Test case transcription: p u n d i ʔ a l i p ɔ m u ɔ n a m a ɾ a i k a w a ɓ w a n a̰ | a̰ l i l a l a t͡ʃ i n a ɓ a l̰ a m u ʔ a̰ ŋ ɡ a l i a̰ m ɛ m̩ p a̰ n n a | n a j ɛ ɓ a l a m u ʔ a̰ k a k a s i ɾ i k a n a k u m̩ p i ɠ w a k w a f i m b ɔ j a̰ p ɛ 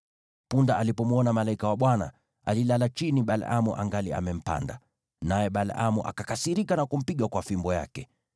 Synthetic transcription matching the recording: p u n d a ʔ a l i p ɔ m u ɔ n a m a l a i k a w a ɓ w a n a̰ | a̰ l i l a l a t͡ʃ i n i ɓ a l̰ a m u ʔ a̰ ŋ ɡ a l i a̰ m ɛ m̩ p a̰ n d a | n a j ɛ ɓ a l a m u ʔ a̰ k a k a s i ɾ i k a n a k u m̩ p i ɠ w a k w a f i m b ɔ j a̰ k ɛ